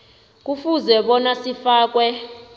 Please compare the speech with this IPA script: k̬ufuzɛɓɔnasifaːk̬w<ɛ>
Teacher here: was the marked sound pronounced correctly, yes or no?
yes